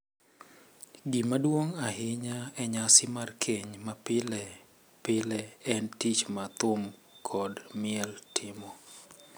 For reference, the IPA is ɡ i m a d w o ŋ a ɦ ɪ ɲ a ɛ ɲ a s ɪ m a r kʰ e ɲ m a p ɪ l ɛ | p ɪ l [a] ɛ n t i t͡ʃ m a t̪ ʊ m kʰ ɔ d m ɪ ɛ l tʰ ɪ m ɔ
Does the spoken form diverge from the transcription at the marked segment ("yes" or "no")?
yes